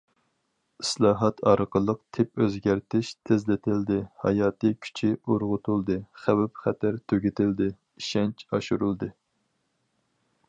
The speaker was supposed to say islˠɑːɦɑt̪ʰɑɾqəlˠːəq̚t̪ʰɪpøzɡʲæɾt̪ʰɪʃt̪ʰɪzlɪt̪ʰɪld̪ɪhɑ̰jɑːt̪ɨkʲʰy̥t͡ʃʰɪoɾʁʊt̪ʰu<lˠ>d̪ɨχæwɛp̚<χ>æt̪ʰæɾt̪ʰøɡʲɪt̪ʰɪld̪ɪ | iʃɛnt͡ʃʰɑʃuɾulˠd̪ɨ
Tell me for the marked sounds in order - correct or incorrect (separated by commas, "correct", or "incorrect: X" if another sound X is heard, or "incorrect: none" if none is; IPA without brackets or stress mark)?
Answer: correct, correct